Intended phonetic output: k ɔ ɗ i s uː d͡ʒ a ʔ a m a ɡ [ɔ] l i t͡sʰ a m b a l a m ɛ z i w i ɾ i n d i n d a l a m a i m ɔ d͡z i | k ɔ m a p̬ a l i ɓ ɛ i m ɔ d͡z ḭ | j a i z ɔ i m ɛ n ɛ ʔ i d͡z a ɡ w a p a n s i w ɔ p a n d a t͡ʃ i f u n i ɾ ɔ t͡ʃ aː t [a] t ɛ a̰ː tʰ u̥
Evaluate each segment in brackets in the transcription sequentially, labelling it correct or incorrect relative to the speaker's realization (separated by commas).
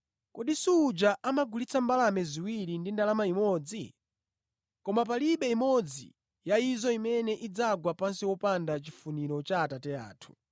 incorrect, correct